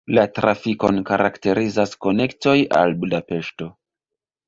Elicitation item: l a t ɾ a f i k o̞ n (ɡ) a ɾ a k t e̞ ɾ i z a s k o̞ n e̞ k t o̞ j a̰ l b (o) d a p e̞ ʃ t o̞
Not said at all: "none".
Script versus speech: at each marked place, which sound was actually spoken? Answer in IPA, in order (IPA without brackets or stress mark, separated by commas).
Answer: k, u